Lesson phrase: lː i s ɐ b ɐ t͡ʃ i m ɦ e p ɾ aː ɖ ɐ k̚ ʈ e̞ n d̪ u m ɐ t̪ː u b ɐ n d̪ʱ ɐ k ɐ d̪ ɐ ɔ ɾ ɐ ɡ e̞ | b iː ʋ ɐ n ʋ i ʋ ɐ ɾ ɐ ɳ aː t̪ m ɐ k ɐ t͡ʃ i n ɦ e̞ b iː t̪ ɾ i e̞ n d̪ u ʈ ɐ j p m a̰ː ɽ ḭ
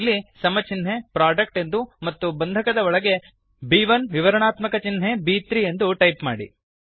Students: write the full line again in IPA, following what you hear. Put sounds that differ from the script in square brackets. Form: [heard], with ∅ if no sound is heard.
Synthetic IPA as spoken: lː i s ɐ [m] ɐ t͡ʃ i [n] ɦ e p ɾ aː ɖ ɐ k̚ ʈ e̞ n d̪ u m ɐ t̪ː u b ɐ n d̪ʱ ɐ k ɐ d̪ ɐ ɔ [ɭ] ɐ ɡ e̞ | b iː ʋ ɐ n ʋ i ʋ ɐ ɾ ɐ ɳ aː t̪ m ɐ k ɐ t͡ʃ i n ɦ e̞ b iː t̪ ɾ i e̞ n d̪ u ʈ ɐ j p m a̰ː ɽ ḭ